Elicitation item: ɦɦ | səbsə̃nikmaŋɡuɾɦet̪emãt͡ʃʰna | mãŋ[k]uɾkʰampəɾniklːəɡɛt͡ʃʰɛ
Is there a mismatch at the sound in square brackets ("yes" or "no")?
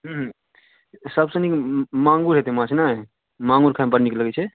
yes